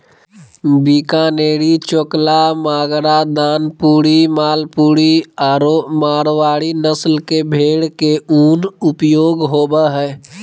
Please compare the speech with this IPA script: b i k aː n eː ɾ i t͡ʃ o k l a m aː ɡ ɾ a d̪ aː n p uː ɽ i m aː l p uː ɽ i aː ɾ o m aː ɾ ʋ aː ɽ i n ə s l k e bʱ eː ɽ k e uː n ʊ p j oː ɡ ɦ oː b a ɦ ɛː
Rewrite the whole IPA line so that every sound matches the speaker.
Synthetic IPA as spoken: b i k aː n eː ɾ i t͡ʃ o k l a m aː ɡ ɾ a d̪ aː n p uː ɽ i m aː l p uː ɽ i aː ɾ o m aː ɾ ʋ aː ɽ i n ə s l k e bʱ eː ɽ k e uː n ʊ p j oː ɡ ɦ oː b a ɦ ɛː